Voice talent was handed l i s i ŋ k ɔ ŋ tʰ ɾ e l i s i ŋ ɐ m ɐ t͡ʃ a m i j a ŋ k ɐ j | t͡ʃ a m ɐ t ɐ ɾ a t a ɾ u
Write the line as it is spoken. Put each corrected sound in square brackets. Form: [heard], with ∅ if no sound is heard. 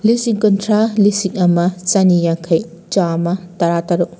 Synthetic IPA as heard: l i s i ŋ k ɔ [n] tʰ ɾ [a] l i s i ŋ ɐ m ɐ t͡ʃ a [n] i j a ŋ [kʰ] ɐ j | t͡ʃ a m ɐ t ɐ ɾ a t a ɾ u